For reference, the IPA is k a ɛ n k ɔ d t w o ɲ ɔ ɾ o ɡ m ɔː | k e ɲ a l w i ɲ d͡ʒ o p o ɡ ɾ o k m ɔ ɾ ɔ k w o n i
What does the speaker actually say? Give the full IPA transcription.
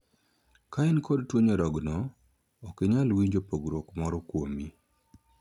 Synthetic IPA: k a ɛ n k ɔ d t w o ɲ ɔ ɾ ɔ ɡ n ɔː | k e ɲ a l w i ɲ d͡ʒ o p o ɡ ɾ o k m ɔ ɾ ɔ k w o m i